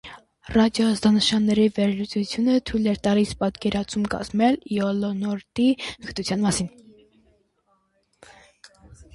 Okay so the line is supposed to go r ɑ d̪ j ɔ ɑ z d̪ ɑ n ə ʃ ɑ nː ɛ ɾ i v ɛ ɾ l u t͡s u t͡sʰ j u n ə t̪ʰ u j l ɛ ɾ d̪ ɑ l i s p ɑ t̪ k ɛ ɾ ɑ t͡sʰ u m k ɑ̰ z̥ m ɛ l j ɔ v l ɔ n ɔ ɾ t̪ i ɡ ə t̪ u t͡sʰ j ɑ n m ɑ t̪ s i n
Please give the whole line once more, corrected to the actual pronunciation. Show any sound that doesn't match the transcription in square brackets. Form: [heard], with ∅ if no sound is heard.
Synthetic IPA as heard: r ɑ d̪ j ɔ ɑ z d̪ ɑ n ə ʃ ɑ nː ɛ ɾ i v ɛ ɾ l u t͡s u t͡sʰ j u n ə t̪ʰ u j l ɛ ɾ [t̪] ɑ l i s p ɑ t̪ k ɛ ɾ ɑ t͡sʰ u m k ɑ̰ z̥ m ɛ l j ɔ [∅] l ɔ n ɔ ɾ t̪ i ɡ ə t̪ u t͡sʰ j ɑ n m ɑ [∅] s i n